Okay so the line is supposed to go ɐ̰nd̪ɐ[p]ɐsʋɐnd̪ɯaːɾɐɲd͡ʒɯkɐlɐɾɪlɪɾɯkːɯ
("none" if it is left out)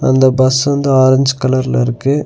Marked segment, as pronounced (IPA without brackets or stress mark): b